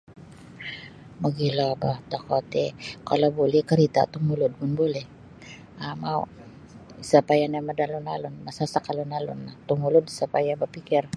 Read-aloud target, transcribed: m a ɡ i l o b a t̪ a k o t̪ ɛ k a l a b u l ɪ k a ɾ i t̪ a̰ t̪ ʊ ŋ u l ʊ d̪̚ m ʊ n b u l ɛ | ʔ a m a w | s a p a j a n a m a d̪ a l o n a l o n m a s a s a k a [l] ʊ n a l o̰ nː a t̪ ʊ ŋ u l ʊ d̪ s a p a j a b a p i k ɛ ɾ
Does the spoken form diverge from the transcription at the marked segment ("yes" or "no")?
no